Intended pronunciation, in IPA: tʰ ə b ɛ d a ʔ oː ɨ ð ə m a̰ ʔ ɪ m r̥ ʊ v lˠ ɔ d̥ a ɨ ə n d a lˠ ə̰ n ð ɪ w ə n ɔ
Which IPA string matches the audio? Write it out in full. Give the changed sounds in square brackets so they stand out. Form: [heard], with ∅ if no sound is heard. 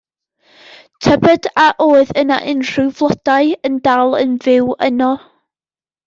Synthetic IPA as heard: tʰ ə b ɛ d a ʔ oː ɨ ð ə [n] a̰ ʔ ɪ [n] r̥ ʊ v lˠ ɔ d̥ a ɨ ə n d a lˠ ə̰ n [v] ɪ w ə n ɔ